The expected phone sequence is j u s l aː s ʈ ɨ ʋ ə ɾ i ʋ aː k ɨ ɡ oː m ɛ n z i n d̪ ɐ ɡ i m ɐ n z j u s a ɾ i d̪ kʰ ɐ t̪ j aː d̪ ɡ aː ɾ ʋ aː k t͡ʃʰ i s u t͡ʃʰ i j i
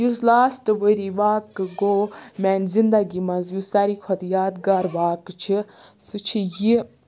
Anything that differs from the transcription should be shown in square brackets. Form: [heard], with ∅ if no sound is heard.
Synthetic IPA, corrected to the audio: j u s l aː s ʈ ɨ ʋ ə ɾ i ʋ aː k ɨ ɡ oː m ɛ n z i n d̪ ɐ ɡ i m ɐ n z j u s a ɾ i [∅] kʰ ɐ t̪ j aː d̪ ɡ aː ɾ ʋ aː k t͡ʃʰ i s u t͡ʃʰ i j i